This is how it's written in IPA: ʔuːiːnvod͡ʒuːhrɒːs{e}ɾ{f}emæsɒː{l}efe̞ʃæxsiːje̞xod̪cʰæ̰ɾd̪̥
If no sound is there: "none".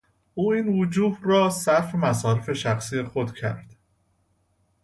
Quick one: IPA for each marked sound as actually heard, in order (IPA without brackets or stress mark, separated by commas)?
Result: æ, f, ɾ